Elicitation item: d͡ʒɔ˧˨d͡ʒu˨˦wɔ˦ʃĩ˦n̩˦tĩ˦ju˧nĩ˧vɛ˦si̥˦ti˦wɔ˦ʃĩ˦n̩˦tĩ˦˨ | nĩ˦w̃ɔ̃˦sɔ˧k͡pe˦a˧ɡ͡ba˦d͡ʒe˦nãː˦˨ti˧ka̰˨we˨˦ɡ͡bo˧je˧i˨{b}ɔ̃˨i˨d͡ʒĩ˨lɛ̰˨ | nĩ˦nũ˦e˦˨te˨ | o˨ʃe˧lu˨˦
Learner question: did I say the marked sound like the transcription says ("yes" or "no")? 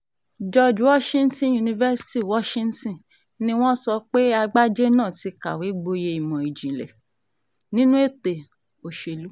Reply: no